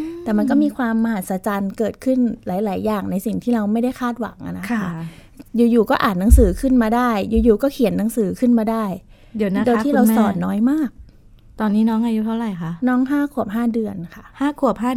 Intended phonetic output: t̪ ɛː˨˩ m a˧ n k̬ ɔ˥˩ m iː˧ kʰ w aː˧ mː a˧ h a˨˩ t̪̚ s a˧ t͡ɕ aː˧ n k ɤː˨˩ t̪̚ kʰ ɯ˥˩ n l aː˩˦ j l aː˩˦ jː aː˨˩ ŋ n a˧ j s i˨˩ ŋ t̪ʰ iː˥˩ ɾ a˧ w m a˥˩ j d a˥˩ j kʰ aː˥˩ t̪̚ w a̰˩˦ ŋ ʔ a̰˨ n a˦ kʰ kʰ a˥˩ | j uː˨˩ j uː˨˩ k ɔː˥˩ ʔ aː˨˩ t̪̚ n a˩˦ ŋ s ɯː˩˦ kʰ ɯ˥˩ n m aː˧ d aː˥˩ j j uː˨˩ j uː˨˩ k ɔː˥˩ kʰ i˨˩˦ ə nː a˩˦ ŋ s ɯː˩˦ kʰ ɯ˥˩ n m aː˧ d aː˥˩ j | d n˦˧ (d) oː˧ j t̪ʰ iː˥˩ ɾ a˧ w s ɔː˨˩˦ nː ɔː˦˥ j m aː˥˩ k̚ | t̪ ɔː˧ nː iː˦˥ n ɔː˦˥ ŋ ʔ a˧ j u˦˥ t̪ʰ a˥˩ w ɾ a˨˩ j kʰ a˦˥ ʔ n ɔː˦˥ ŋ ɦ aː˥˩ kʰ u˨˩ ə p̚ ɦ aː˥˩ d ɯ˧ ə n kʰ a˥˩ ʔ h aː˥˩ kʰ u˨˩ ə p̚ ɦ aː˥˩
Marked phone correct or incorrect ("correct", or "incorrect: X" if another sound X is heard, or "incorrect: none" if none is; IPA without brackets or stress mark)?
correct